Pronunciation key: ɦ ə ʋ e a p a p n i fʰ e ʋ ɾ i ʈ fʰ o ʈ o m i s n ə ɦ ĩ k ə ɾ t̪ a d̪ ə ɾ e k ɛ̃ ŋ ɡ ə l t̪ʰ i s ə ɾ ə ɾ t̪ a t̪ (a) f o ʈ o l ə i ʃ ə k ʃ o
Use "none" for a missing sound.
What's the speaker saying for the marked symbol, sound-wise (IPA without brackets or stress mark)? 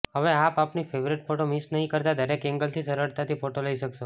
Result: i